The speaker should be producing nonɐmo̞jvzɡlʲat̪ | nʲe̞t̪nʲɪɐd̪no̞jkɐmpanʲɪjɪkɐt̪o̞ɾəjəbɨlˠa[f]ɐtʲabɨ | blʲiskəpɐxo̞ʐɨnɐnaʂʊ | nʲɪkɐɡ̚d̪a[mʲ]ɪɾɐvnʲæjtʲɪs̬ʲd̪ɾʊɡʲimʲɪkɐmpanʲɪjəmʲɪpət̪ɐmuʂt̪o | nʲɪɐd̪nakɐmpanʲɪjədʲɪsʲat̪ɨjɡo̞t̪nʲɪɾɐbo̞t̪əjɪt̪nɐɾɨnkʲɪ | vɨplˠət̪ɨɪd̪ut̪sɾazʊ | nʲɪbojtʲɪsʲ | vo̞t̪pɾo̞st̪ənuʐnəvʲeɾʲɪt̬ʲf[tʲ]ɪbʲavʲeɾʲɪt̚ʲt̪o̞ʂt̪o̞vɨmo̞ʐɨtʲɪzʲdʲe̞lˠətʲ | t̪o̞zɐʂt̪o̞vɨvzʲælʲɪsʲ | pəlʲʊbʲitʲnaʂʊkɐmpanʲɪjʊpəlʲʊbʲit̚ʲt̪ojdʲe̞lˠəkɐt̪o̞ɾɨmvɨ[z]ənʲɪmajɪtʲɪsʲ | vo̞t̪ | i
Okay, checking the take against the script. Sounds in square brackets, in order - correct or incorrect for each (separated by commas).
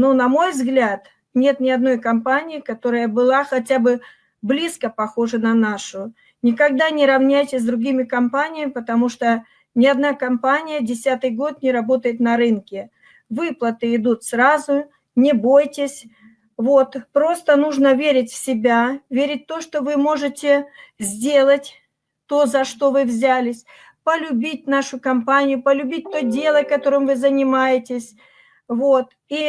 incorrect, incorrect, incorrect, correct